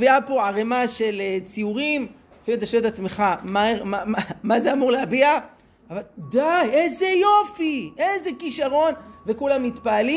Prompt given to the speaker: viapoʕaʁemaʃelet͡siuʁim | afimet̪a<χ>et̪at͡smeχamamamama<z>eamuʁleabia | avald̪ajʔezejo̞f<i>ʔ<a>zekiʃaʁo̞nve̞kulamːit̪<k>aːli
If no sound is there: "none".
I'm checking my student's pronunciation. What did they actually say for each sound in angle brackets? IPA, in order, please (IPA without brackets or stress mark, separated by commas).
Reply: ʃ, z, i, e, p